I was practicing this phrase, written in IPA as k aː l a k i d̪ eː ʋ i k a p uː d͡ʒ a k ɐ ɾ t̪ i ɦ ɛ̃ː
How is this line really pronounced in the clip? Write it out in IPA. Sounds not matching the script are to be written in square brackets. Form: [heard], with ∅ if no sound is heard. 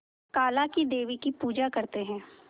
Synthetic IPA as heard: k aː l a k i d̪ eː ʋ i k [i] p uː d͡ʒ a k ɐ ɾ t̪ [e] ɦ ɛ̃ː